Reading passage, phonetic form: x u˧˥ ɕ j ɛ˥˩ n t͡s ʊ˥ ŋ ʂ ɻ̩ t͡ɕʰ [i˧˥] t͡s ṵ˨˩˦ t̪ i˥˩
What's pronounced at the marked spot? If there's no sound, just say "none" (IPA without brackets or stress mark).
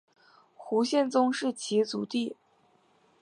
i˧˥